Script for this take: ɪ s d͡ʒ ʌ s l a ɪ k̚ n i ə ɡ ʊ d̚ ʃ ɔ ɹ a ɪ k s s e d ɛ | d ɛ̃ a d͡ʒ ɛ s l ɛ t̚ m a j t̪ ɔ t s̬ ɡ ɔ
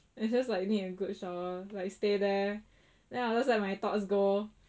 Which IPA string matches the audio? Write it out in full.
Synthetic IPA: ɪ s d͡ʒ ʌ s l a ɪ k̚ n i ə ɡ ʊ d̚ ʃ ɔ l a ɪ k s t e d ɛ | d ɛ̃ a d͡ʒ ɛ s l ɛ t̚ m a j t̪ ɔ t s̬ ɡ o